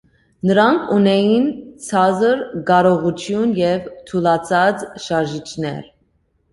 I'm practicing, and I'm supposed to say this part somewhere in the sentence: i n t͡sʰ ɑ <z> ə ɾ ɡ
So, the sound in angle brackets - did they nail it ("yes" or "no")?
yes